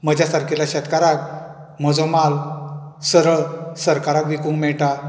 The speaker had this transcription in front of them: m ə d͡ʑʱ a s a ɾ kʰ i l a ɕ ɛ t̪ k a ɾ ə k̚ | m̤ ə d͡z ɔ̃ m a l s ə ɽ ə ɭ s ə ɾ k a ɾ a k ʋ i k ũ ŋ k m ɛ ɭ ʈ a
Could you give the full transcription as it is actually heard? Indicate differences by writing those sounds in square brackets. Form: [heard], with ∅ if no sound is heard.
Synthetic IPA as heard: m ə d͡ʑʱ a s a ɾ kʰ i l a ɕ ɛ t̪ k a ɾ [a] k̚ | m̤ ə d͡z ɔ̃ m a l s ə [ɾ] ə ɭ s ə ɾ k a ɾ a k ʋ i k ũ ŋ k m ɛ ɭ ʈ a

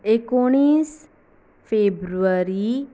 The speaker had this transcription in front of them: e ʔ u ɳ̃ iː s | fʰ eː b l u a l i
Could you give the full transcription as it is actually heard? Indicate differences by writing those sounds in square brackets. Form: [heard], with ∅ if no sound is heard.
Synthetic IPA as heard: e [k] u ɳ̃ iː s | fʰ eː b [ɾ] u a [ɾ] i

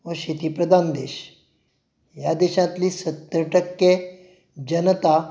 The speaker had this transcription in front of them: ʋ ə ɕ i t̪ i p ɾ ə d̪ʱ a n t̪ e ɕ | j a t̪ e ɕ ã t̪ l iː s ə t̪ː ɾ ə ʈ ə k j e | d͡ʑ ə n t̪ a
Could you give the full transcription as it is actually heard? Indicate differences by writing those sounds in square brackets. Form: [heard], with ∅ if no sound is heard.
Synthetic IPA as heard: ʋ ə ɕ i t̪ i p ɾ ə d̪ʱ a n [d̪] e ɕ | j a [d̪] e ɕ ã t̪ l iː s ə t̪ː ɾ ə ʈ ə k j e | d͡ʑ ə n t̪ a

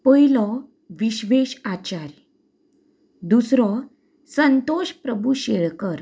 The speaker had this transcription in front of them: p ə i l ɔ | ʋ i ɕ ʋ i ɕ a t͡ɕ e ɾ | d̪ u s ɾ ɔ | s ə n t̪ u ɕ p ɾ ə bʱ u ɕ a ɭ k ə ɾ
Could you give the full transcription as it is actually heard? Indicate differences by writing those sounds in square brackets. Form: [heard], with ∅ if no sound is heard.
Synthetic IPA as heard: p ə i l ɔ | ʋ i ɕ ʋ [e] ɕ a t͡ɕ [a] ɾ | d̪ u s ɾ ɔ | s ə n t̪ [o] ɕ p ɾ ə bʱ u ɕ [e] ɭ k ə ɾ

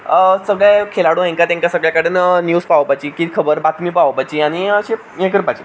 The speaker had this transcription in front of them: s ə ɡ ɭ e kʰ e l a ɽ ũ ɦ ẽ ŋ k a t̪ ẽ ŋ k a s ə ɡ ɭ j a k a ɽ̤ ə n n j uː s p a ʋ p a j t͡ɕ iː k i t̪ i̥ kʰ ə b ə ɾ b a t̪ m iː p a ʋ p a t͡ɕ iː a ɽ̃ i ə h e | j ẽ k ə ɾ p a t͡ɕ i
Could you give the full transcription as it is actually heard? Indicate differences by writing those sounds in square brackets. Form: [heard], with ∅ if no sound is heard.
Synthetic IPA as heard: s ə ɡ ɭ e kʰ e l a ɽ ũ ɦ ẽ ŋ k a t̪ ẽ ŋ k a s ə ɡ ɭ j a k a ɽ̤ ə n n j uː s p a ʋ p a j t͡ɕ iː k i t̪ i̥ kʰ ə b ə ɾ b a t̪ m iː p a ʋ p a t͡ɕ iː a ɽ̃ i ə [ɕ] e | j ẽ k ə ɾ p a t͡ɕ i

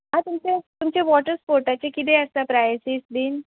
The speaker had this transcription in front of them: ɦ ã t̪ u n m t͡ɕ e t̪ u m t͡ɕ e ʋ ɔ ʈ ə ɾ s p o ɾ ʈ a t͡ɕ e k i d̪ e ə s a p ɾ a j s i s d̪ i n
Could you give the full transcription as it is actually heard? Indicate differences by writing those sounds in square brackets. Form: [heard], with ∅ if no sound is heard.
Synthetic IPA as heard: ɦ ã t̪ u [∅] m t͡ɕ e t̪ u m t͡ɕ e ʋ ɔ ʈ ə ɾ s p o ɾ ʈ a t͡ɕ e k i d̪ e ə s a p ɾ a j s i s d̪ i n

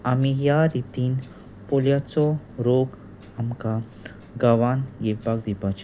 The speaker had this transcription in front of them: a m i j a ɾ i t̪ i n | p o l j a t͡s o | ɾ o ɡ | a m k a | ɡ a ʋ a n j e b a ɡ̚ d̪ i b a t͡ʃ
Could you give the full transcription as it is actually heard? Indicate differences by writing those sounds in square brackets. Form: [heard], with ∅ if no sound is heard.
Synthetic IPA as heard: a m i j a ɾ i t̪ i n | p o l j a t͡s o | ɾ o ɡ | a m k a | ɡ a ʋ a n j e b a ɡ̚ d̪ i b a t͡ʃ

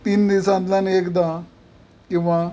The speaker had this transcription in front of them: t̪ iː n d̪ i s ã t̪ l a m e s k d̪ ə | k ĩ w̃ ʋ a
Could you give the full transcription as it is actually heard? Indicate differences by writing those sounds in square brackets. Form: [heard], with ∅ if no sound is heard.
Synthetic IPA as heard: t̪ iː n d̪ i s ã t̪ l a [n] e [∅] k d̪ [a] | k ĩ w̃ ʋ a

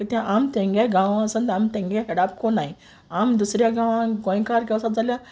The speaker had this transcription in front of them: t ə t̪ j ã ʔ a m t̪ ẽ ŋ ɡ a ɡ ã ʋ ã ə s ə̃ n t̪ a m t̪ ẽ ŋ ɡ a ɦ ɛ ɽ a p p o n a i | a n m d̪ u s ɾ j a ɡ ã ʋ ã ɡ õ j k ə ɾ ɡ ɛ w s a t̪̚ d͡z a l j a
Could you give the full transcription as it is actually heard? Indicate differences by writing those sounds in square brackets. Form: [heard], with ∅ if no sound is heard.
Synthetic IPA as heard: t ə t̪ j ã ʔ a m t̪ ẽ ŋ ɡ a ɡ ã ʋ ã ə s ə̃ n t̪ a m t̪ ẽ ŋ ɡ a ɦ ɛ ɽ a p [k] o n a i | a [∅] m d̪ u s ɾ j a ɡ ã ʋ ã ɡ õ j k [a] ɾ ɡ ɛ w s a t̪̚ d͡z a l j a

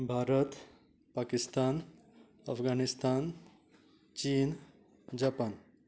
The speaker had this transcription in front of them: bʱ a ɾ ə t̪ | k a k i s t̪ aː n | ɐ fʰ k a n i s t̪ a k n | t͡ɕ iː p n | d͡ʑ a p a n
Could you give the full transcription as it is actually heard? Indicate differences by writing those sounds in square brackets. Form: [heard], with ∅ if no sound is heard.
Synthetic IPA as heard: bʱ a ɾ ə t̪ | [p] a k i s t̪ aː n | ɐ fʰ [ɡ] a n i s t̪ a [∅] n | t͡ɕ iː [∅] n | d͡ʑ a p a n

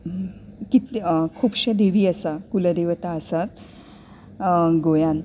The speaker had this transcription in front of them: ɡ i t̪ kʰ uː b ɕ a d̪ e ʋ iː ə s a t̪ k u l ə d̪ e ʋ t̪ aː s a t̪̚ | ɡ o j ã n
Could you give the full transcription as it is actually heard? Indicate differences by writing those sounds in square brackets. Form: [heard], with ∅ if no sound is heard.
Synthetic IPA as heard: [k] i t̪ kʰ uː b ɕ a d̪ e ʋ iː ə s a [∅] k u l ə d̪ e ʋ t̪ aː s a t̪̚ | ɡ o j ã n

